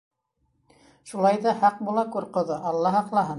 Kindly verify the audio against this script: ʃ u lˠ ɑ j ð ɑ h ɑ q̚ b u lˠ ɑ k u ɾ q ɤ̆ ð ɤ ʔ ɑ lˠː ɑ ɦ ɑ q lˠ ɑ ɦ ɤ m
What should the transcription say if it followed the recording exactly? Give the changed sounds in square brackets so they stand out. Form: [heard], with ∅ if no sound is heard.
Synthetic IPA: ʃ u lˠ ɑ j ð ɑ h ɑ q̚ b u lˠ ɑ k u ɾ q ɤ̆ ð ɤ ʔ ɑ lˠː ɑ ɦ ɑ q lˠ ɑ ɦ ɤ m